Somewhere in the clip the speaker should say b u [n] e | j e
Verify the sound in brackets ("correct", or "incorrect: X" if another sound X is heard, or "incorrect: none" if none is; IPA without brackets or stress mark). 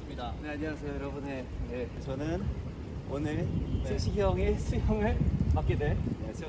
correct